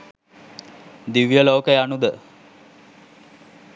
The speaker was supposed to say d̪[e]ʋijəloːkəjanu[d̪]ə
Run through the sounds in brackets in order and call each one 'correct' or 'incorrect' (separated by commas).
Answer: incorrect, correct